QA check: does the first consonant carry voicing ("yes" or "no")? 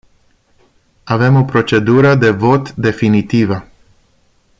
yes